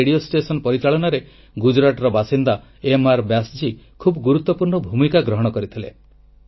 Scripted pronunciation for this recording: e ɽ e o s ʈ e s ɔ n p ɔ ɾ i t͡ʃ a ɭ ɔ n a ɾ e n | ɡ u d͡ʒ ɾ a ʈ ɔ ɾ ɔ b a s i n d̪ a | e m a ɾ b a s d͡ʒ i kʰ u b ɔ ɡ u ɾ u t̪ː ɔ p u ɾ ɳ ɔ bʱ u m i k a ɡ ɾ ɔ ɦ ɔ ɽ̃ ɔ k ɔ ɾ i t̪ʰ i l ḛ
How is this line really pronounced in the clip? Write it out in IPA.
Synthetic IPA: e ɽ i o s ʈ e s ɔ n p ɔ ɾ i t͡ʃ a ɭ ɔ n a ɾ e | ɡ u d͡ʒ ɾ a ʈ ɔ ɾ ɔ b a s i n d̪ a | e m a ɾ b a s d͡ʒ i kʰ u b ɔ ɡ u ɾ u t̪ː ɔ p u ɾ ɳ ɔ bʱ u m i k a ɡ ɾ ɔ ɦ ɔ ɽ̃ ɔ k ɔ ɾ i t̪ʰ i l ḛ